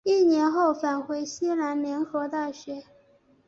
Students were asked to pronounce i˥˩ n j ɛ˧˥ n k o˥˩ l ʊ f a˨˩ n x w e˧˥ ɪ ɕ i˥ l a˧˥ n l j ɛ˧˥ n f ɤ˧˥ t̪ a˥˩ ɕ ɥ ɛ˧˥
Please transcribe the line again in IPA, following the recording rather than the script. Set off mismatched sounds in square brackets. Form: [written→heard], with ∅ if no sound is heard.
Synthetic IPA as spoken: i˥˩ n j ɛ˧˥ n [k→x] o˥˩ [l→∅] ʊ f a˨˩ n x w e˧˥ ɪ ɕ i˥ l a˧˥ n l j ɛ˧˥ n [f→x] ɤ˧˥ t̪ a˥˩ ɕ ɥ ɛ˧˥